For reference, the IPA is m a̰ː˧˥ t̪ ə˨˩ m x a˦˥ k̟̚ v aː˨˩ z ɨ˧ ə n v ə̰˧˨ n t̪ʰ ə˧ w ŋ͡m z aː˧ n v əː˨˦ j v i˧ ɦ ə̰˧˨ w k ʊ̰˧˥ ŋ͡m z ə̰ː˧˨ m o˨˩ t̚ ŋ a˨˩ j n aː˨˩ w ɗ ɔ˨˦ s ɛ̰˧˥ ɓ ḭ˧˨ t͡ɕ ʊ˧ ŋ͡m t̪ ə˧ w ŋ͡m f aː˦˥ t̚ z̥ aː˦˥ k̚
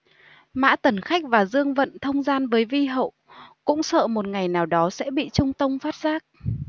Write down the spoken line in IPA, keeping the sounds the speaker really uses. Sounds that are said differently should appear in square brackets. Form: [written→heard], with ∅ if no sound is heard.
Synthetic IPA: m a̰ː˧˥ t̪ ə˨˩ [m→n] x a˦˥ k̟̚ v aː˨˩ z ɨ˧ ə [n→ŋ] v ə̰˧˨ n t̪ʰ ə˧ w ŋ͡m z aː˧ n v əː˨˦ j v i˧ ɦ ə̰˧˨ w k ʊ̰˧˥ ŋ͡m [z→s] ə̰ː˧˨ m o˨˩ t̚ ŋ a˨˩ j n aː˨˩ w ɗ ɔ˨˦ s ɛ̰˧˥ ɓ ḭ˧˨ t͡ɕ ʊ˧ ŋ͡m t̪ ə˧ w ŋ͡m f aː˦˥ t̚ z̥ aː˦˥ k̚